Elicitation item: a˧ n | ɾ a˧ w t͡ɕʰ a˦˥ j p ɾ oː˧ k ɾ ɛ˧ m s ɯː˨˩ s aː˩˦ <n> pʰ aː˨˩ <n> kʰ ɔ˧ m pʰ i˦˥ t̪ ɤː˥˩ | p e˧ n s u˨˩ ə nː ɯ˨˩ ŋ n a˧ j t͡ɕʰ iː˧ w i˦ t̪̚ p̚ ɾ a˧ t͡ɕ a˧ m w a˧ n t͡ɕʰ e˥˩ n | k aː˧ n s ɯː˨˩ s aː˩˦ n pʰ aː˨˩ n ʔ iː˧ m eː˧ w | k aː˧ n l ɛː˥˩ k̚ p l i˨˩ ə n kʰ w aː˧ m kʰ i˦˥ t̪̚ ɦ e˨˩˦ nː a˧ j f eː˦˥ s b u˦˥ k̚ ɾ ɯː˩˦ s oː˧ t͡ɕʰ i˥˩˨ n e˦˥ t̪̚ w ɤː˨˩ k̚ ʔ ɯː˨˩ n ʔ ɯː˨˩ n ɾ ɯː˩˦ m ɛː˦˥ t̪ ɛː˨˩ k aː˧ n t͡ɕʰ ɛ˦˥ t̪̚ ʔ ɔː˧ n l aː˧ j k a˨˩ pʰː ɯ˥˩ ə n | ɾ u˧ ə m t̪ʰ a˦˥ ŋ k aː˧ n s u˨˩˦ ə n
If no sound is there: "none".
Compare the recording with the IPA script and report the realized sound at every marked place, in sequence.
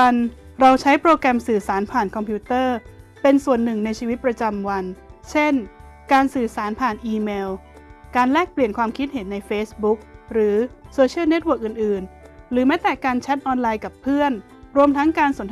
n, n

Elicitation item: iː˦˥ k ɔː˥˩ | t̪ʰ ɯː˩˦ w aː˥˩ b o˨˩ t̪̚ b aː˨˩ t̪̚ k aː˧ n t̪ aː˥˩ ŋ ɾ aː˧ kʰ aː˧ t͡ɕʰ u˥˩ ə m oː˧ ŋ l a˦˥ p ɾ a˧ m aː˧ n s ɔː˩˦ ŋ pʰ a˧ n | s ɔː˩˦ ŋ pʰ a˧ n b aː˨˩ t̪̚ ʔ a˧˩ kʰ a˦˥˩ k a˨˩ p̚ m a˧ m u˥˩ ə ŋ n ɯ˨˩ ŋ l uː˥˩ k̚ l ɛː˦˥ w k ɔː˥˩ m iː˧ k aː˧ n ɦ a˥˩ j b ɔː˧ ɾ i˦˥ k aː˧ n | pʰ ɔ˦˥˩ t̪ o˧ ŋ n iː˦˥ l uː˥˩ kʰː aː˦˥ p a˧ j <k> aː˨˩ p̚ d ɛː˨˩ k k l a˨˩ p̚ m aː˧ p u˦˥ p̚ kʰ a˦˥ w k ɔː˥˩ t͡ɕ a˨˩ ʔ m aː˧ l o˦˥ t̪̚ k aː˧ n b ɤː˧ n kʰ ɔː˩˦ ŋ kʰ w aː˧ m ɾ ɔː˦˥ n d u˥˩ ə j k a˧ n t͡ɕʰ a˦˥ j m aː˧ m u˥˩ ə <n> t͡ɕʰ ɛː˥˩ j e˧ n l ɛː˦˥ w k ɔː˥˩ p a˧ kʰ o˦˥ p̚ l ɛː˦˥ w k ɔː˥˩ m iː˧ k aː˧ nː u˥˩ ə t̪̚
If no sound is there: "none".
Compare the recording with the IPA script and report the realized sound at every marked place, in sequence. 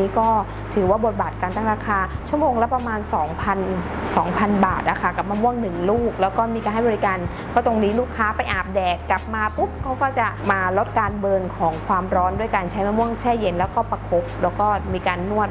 ʔ, ŋ

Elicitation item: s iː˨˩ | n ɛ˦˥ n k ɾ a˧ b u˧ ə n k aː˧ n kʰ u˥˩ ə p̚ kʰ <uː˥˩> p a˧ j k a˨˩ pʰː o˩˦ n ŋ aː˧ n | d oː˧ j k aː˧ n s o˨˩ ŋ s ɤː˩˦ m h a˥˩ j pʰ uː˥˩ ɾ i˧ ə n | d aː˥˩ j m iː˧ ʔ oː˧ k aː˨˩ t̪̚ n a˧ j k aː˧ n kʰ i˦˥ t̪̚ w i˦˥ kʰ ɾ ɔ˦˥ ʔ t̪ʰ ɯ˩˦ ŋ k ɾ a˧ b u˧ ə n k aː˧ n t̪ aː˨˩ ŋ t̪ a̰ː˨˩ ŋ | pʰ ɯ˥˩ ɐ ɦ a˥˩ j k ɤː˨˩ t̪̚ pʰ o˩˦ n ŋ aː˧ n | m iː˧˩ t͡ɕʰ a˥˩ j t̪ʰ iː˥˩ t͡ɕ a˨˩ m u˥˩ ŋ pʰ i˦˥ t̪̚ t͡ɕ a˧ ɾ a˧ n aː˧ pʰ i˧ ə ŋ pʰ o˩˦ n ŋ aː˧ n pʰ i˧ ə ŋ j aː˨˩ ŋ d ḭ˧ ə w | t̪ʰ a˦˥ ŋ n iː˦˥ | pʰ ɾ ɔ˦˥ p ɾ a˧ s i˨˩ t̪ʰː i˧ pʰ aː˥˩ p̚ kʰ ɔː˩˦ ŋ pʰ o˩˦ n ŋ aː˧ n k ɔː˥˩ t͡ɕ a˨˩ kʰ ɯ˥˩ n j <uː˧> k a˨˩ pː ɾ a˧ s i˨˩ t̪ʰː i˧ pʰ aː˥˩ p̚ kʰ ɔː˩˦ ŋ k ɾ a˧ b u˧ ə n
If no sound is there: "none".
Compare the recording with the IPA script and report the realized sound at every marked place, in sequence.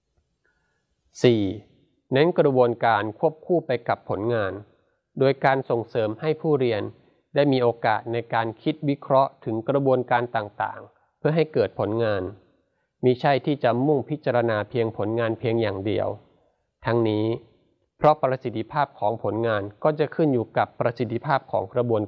uː˥˩, uː˨˩

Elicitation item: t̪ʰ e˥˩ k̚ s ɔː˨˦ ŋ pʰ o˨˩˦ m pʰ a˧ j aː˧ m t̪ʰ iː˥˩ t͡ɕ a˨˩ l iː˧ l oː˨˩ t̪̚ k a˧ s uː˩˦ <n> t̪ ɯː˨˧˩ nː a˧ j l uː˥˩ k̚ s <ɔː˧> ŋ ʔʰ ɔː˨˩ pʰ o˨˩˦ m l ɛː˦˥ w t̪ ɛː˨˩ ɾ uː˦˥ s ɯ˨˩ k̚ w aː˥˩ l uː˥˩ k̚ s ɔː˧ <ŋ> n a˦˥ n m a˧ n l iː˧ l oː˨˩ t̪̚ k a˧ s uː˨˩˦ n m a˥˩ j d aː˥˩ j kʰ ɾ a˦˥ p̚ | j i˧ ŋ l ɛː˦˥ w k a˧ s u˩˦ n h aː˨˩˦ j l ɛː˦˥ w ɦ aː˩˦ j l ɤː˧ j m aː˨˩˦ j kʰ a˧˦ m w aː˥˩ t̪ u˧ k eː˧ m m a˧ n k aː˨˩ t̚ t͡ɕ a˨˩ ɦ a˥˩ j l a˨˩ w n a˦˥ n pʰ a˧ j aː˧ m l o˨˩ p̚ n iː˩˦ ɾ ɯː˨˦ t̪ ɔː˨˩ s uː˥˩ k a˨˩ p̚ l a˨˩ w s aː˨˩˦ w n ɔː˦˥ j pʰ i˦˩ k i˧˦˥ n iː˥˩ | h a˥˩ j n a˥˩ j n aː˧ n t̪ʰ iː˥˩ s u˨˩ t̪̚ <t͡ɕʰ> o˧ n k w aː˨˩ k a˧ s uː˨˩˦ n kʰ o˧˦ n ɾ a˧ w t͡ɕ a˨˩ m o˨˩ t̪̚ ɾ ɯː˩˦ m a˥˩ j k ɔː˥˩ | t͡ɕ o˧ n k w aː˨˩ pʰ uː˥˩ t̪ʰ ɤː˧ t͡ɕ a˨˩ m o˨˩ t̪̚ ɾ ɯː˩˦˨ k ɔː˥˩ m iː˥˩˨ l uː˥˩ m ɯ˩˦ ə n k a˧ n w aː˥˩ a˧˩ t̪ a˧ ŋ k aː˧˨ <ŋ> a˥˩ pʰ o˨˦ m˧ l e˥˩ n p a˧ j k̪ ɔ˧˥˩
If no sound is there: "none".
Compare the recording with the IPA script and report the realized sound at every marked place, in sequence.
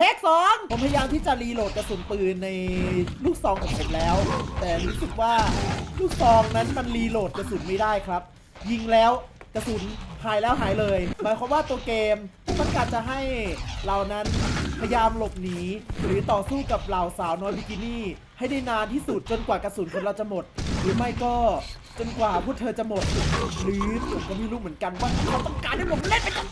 n, ɔː˧, ŋ, t͡ɕ, n

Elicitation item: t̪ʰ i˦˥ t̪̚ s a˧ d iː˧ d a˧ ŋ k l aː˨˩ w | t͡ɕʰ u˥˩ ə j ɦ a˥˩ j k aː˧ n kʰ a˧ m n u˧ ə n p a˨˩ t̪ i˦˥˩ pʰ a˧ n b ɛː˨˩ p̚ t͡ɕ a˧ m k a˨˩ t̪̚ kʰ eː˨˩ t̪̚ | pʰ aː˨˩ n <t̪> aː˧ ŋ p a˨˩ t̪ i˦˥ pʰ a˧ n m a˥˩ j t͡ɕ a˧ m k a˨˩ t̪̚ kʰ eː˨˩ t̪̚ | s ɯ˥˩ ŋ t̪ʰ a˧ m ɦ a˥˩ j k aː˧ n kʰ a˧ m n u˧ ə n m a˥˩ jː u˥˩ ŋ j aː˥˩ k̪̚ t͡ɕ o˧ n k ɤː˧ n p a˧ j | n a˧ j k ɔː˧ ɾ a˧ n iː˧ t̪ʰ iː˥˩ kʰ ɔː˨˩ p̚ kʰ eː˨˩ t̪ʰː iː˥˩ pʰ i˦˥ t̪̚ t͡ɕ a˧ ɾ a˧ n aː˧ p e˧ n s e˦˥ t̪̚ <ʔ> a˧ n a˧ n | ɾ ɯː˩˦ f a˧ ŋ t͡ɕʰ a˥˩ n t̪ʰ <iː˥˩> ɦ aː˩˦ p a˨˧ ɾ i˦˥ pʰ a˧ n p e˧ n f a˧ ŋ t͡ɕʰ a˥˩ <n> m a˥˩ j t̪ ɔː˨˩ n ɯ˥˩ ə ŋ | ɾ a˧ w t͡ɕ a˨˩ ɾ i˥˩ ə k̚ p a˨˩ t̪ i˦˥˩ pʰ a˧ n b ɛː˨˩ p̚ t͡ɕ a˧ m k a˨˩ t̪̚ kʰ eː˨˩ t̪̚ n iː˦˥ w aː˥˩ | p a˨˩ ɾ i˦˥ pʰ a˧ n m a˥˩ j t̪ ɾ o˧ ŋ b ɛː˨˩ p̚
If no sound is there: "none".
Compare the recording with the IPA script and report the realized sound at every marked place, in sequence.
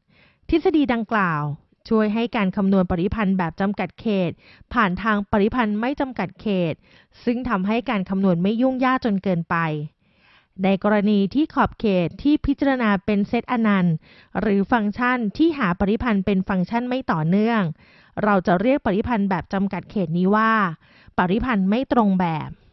t̪ʰ, ʔ, iː˥˩, n

